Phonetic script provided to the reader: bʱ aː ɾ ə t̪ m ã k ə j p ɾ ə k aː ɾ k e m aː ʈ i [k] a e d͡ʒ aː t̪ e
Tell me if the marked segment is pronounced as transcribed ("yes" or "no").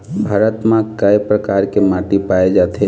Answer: no